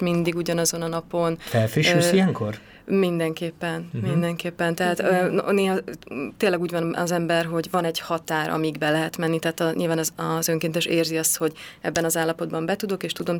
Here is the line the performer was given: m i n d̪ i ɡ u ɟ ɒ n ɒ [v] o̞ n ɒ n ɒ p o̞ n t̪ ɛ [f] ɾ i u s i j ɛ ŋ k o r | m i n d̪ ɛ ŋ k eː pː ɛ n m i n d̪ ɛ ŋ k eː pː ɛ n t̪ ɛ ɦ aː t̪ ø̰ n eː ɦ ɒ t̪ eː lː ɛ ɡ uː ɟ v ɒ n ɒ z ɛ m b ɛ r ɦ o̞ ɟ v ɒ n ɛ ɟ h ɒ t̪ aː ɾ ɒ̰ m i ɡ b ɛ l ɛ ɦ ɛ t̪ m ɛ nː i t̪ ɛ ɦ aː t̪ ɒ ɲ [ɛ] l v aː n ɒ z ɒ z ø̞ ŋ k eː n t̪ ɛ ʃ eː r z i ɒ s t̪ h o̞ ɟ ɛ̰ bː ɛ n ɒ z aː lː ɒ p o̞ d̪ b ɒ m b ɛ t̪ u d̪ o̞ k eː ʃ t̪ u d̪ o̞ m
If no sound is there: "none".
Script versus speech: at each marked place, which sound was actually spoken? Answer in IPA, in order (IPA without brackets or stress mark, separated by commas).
z, f, i